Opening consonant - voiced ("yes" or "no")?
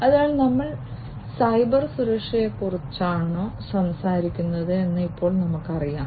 yes